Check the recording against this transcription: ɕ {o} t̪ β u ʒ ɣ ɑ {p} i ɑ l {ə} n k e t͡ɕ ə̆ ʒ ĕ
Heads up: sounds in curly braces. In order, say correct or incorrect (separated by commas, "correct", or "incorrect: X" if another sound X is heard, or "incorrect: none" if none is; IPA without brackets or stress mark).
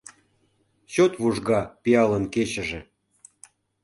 correct, correct, correct